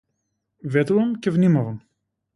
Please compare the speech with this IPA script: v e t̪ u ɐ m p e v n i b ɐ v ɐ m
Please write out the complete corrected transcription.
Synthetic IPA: v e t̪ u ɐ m c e v n i m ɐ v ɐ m